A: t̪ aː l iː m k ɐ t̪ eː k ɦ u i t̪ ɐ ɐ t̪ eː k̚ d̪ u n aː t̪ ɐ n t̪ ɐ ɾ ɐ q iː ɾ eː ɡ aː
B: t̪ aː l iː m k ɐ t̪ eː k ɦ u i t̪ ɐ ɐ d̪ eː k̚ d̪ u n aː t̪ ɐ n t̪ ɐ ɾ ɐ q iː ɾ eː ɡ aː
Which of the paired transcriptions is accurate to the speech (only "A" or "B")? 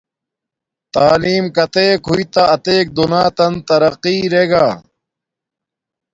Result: A